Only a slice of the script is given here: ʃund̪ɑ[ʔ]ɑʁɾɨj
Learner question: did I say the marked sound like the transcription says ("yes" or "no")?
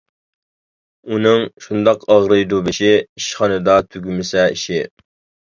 no